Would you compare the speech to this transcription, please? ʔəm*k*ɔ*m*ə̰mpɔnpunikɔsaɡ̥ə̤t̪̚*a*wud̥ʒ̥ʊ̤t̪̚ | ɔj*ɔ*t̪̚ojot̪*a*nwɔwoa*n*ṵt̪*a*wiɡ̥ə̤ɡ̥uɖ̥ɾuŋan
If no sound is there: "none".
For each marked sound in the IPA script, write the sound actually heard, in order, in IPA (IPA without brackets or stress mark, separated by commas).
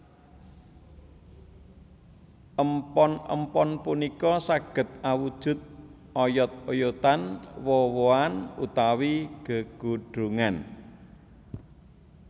p, n, a, ɔ, a, n, a